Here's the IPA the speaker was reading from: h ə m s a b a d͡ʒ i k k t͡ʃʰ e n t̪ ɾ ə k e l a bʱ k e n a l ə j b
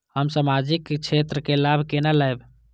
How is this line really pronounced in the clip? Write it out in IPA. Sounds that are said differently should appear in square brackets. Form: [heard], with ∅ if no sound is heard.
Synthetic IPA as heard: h ə m s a [m] a d͡ʒ i k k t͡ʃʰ e [∅] t̪ ɾ ə k e l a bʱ k e n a l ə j b